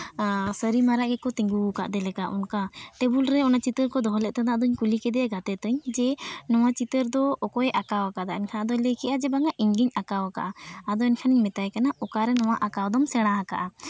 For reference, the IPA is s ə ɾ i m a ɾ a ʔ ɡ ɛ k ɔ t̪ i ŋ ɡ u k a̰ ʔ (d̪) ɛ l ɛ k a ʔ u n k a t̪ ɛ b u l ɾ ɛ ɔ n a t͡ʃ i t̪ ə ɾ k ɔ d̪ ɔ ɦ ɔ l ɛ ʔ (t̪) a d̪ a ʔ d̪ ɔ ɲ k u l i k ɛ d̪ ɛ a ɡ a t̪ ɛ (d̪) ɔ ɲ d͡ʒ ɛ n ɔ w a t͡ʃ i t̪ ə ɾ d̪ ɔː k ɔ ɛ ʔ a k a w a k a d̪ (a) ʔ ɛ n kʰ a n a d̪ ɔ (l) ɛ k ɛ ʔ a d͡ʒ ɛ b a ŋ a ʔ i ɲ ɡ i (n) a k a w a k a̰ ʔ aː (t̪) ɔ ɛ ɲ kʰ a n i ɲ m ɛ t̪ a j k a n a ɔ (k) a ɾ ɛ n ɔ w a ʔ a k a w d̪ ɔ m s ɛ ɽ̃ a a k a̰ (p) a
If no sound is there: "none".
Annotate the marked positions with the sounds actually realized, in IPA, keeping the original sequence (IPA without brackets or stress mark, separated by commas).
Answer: d̪, t̪, t̪, a, l, ɲ, d̪, k, ʔ